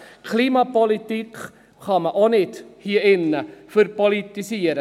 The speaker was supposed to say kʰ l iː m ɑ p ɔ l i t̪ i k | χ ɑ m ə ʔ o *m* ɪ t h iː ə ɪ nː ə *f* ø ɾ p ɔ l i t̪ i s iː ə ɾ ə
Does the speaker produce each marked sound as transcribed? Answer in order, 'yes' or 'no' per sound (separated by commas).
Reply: no, yes